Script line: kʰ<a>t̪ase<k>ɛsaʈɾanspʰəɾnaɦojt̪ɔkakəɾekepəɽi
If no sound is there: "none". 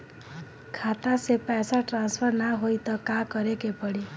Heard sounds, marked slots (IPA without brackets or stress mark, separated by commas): a, p